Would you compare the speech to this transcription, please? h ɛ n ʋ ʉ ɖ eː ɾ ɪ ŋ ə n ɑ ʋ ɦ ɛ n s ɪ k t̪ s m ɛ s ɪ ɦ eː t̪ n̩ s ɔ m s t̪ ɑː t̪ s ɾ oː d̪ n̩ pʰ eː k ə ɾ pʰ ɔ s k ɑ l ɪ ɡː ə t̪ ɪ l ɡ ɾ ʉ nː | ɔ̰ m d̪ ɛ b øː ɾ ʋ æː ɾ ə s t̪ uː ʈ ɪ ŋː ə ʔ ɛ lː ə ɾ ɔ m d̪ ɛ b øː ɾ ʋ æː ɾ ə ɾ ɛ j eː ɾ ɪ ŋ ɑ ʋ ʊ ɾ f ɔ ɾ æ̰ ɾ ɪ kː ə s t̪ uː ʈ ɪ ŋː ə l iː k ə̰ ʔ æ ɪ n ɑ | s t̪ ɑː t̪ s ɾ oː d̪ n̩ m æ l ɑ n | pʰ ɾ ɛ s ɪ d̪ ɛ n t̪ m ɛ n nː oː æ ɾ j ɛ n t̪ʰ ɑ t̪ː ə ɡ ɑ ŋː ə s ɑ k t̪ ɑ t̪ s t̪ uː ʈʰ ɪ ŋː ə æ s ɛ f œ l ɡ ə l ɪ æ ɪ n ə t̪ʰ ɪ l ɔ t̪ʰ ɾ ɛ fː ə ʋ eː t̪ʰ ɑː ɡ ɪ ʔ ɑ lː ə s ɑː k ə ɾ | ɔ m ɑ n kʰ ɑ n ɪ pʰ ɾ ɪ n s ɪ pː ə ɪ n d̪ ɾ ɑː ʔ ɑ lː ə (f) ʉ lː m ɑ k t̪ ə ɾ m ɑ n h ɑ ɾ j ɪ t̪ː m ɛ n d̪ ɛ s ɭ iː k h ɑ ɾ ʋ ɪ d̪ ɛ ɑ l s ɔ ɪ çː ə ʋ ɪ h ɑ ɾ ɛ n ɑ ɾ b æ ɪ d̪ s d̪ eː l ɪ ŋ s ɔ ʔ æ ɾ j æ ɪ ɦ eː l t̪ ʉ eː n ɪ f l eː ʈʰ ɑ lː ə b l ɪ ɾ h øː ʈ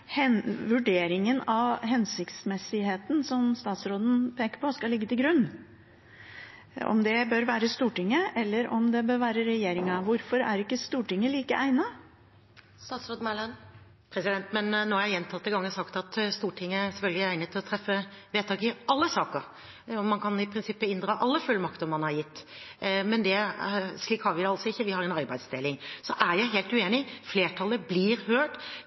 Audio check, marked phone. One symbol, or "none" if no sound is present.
f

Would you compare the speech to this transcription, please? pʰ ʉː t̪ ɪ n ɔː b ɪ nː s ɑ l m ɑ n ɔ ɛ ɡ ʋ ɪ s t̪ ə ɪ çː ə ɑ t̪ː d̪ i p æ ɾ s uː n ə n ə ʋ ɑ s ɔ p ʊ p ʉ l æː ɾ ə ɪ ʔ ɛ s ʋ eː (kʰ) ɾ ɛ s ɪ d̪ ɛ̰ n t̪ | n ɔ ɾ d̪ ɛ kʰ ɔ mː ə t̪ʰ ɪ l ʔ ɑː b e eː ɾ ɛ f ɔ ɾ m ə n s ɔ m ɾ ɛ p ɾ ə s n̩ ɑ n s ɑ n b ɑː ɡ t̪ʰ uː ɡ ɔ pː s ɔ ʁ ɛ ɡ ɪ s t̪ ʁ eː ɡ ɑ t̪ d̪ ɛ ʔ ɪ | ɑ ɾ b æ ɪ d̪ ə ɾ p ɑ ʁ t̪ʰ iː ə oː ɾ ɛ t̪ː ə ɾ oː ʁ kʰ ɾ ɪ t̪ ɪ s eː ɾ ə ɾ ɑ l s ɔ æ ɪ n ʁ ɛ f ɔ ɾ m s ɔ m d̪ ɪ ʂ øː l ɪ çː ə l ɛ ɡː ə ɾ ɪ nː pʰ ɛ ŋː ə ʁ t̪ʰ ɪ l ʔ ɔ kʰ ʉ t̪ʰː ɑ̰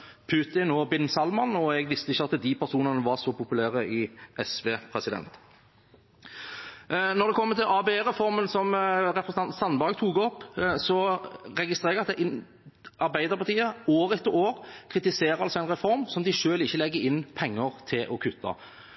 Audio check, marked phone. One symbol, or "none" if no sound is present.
pʰ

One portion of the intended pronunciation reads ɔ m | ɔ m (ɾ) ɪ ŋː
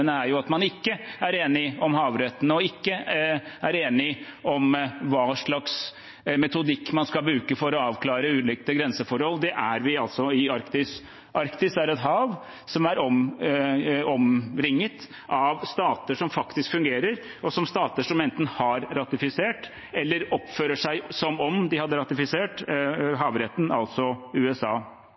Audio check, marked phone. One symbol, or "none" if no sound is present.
ɾ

